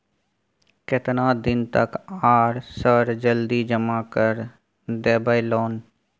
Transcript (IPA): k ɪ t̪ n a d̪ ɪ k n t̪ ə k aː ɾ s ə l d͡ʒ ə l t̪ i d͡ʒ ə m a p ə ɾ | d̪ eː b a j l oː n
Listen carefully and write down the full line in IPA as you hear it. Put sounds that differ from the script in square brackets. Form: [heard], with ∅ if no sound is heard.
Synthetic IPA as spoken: k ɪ t̪ n a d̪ ɪ [∅] n t̪ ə k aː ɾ s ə [ɾ] d͡ʒ ə l [d̪] i d͡ʒ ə m a [k] ə ɾ | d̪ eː b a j l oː n

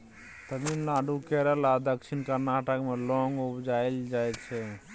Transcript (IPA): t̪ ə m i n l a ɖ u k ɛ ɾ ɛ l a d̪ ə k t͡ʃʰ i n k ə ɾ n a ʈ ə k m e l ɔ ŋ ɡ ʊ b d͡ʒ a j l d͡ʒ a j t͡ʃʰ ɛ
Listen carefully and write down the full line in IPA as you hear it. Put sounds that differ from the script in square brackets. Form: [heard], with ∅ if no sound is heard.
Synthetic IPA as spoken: t̪ ə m i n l a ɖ u k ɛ ɾ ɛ l a d̪ ə k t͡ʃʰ i n k ə ɾ n a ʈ ə k m e l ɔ ŋ ɡ [u] b d͡ʒ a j l d͡ʒ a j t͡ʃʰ ɛ

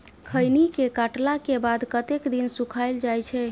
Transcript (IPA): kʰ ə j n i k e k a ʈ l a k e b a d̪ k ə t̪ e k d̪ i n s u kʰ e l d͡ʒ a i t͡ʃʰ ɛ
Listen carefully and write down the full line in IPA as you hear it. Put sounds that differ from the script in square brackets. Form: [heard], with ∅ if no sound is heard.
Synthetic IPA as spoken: kʰ ə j n i k e k a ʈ l a k e b a d̪ k ə t̪ e k d̪ i n s u kʰ [a] l d͡ʒ a [j] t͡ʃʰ ɛ

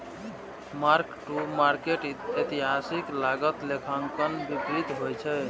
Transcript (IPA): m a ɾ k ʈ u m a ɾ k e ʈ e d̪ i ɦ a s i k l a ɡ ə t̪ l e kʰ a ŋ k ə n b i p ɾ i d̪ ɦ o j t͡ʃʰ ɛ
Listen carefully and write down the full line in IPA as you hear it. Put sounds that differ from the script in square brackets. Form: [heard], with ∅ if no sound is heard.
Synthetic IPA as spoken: m a ɾ k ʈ u m a ɾ k e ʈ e [t̪] i ɦ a s i k l a ɡ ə t̪ l e kʰ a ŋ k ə n b i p ɾ i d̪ ɦ o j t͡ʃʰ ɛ

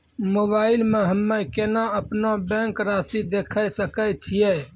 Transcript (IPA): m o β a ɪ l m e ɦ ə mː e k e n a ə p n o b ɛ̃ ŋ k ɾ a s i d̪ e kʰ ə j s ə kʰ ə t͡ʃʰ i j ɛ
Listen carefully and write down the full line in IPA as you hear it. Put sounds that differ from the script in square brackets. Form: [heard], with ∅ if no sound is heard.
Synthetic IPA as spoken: m o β a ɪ l m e ɦ ə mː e k e n a ə p n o b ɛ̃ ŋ k ɾ a s i d̪ e kʰ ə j s ə [k] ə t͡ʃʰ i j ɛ

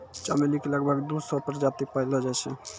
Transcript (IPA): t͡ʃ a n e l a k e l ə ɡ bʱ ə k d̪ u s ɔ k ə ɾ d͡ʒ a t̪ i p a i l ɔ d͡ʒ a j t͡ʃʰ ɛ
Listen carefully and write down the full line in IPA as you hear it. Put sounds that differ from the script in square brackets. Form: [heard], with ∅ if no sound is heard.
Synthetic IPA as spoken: t͡ʃ a [m] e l [i] k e l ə ɡ bʱ ə [ɡ] d̪ u s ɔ [p] ə ɾ d͡ʒ a t̪ i p a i l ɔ d͡ʒ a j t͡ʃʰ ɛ

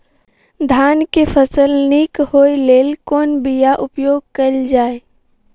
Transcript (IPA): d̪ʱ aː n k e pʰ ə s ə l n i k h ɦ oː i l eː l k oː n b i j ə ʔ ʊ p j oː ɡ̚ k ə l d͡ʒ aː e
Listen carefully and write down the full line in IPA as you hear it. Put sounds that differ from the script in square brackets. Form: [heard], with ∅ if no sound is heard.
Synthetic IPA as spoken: d̪ʱ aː n k e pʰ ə s ə l n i k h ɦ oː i l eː l k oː n b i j [a] ʔ ʊ p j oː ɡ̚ k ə l d͡ʒ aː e

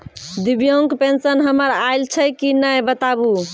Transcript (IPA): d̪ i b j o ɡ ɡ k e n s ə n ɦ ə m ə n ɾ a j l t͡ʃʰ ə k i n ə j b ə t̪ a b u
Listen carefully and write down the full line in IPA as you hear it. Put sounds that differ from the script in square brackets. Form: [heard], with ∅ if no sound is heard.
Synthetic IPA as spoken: d̪ i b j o [ŋ] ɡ [p] e n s ə n ɦ ə m ə [∅] ɾ a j l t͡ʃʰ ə k i n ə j b ə t̪ a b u

